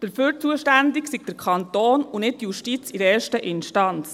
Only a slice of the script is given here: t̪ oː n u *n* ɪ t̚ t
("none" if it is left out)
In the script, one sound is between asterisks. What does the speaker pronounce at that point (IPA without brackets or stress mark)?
n